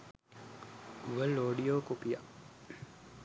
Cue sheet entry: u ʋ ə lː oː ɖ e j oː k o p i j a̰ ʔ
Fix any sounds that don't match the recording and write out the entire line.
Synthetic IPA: u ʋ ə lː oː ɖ i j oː k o p i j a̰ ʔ